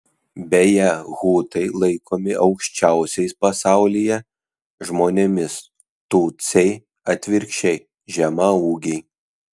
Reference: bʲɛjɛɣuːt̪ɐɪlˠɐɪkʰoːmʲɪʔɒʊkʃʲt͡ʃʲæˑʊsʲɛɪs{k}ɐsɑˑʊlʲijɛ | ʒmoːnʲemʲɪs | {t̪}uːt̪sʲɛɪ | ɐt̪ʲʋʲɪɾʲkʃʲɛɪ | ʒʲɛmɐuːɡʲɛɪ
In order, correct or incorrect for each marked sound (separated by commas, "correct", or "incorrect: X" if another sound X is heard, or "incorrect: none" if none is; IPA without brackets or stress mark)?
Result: incorrect: p, correct